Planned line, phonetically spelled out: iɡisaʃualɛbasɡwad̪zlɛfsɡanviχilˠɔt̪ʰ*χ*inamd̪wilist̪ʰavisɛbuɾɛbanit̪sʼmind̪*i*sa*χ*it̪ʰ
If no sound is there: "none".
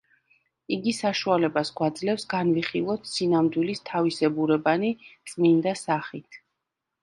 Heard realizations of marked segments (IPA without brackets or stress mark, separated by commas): s, a, χ